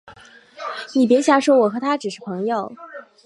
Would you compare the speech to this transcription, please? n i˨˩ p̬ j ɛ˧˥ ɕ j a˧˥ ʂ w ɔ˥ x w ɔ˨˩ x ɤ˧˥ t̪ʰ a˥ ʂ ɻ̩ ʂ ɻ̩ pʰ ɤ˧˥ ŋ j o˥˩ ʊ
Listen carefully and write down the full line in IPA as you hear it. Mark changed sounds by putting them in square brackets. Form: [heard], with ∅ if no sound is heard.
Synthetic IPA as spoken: n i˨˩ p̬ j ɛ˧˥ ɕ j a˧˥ ʂ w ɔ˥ [∅] w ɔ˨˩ x ɤ˧˥ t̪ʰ a˥ [ʈ͡ʂ] ɻ̩ ʂ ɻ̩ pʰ ɤ˧˥ ŋ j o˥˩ ʊ